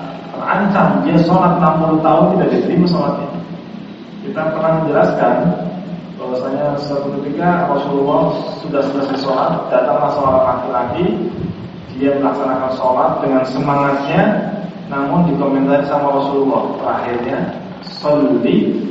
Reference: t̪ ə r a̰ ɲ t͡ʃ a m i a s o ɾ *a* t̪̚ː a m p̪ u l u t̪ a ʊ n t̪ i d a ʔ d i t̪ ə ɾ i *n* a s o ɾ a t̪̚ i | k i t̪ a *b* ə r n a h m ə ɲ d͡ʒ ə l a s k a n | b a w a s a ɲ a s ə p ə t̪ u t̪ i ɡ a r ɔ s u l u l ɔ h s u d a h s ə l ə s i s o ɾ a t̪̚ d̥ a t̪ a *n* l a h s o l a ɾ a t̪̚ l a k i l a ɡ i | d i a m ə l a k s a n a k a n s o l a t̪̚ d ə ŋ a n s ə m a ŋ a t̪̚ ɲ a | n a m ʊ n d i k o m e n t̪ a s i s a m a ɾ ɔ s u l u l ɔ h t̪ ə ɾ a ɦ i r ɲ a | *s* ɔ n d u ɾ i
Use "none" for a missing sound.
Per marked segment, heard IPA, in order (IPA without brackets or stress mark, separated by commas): a, m, p, ŋ, s